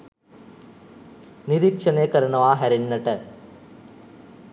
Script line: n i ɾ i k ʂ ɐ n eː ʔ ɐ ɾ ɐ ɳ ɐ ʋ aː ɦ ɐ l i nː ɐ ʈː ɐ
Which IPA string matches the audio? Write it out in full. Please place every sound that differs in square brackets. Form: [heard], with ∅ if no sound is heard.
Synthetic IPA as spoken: n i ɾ i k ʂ ɐ n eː [k] ɐ ɾ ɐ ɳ ɐ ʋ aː ɦ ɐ [ɾ] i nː ɐ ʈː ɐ